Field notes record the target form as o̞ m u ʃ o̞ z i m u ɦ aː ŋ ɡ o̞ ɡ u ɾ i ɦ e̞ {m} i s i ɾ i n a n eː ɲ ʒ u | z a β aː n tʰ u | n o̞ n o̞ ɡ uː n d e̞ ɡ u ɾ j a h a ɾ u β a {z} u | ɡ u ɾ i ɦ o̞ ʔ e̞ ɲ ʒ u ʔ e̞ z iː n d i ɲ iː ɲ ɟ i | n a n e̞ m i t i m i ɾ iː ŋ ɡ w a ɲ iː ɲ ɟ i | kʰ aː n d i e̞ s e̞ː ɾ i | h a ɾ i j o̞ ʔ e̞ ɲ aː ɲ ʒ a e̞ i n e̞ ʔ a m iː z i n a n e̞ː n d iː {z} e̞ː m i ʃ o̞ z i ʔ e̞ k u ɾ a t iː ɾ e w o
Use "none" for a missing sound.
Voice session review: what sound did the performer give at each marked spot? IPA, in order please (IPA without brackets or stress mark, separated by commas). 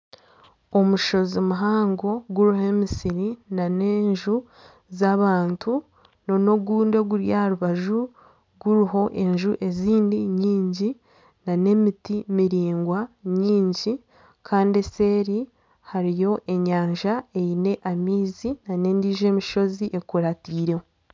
m, ʒ, ʒ